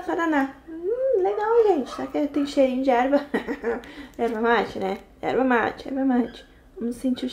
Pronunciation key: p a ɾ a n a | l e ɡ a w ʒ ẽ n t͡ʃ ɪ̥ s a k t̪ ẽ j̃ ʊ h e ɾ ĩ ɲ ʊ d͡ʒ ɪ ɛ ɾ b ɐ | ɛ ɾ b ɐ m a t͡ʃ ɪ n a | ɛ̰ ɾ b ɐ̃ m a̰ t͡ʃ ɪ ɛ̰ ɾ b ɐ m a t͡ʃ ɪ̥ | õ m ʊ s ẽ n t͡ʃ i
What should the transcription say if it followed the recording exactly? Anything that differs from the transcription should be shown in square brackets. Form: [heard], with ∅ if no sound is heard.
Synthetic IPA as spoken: p a ɾ a n a | l e ɡ a w ʒ ẽ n t͡ʃ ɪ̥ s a k t̪ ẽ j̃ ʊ [ʃ] e ɾ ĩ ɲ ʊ d͡ʒ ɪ ɛ ɾ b ɐ | ɛ ɾ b ɐ m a t͡ʃ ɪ n [ɛ] | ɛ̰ ɾ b [ɐ] m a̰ t͡ʃ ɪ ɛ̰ ɾ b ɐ m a t͡ʃ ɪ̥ | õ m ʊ s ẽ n t͡ʃ i